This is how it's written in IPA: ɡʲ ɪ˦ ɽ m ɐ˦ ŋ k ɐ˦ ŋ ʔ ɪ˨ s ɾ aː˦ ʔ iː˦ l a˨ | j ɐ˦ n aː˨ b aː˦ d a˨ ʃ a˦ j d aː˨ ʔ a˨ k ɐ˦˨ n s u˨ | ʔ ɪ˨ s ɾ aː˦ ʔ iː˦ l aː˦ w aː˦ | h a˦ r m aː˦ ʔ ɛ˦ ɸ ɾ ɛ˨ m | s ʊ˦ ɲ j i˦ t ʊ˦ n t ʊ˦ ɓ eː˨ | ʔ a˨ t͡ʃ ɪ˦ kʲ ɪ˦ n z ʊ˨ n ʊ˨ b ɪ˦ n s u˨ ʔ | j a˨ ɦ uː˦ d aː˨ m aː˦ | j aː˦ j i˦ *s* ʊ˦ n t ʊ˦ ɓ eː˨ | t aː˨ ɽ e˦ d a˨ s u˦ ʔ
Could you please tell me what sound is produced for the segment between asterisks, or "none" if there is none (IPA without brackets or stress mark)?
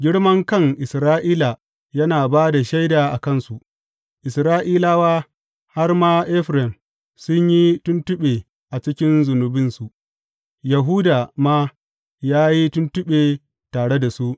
t